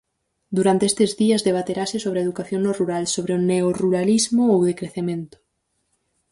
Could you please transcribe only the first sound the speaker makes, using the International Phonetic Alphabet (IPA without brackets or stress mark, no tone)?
d̪